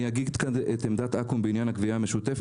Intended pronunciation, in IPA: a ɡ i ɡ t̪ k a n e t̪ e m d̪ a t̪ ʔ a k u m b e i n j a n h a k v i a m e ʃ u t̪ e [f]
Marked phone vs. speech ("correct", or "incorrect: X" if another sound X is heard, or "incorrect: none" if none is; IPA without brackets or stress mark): correct